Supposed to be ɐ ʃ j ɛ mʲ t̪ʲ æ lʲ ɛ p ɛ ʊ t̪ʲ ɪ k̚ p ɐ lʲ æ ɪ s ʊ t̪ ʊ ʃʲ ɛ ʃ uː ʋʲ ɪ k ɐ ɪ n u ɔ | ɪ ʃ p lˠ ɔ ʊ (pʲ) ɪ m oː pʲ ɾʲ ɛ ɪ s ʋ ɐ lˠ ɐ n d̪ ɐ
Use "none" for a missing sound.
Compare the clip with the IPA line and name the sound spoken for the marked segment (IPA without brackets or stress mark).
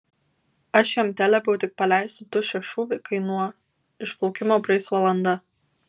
kʲ